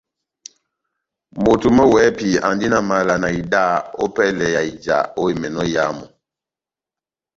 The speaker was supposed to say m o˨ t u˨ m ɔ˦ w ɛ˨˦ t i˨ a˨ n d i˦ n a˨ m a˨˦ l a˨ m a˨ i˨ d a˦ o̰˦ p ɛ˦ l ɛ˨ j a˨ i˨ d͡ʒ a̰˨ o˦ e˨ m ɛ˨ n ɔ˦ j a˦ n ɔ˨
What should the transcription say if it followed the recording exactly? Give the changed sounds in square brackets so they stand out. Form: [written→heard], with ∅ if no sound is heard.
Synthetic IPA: m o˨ t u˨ m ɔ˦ w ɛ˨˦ [t→p] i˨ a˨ n d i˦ n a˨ m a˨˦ l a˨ [m→n] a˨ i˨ d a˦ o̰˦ p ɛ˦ l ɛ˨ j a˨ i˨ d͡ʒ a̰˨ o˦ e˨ m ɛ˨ n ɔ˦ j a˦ [n→m] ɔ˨